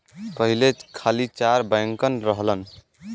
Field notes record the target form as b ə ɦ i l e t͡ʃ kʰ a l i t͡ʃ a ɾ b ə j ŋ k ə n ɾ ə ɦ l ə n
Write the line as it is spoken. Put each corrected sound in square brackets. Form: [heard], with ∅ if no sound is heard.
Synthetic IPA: [p] ə ɦ i l e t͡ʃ kʰ a l i t͡ʃ a ɾ b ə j ŋ k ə n ɾ ə ɦ l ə n